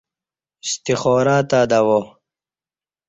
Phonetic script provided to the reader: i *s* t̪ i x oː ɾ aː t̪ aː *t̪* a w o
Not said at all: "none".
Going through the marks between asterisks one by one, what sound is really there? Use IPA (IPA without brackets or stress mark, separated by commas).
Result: s, d̪